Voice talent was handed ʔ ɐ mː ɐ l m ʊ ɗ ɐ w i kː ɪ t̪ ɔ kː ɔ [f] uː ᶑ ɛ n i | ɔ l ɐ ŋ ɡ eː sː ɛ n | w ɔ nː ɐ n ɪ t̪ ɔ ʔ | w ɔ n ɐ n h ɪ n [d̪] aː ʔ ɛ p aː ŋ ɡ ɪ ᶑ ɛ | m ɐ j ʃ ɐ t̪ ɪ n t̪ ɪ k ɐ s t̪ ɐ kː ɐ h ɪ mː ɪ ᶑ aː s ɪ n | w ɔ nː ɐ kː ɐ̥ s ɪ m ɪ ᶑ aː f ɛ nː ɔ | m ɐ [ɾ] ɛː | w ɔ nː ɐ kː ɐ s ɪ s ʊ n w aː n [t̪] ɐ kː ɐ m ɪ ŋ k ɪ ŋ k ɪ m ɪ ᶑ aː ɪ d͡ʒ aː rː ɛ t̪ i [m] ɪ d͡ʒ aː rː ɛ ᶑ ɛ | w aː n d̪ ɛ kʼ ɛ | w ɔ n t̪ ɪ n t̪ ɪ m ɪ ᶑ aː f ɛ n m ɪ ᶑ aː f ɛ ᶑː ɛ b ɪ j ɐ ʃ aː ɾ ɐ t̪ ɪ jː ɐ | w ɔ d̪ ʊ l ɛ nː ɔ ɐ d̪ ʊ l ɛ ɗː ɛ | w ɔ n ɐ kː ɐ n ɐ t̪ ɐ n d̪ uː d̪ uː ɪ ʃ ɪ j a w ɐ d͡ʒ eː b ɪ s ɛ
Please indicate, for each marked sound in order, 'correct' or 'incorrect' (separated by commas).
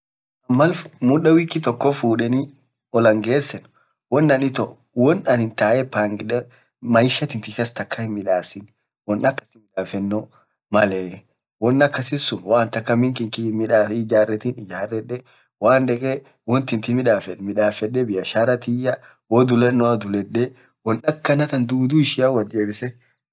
correct, incorrect, incorrect, correct, incorrect